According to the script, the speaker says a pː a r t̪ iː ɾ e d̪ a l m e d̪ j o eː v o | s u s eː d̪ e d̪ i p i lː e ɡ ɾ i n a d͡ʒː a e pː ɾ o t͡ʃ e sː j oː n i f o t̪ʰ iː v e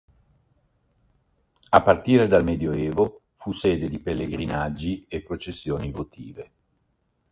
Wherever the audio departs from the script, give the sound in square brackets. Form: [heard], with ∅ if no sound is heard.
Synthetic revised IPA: a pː a r t̪ iː ɾ e d̪ a l m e d̪ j o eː v o | [f] u s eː d̪ e d̪ i p [e] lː e ɡ ɾ i n a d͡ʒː [i] e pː ɾ o t͡ʃ e sː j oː n i [v] o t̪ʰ iː v e